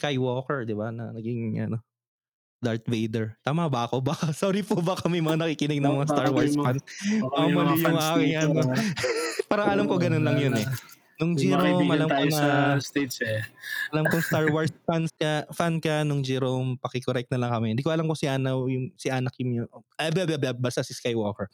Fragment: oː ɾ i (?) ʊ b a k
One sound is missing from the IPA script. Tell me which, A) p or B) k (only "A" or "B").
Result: A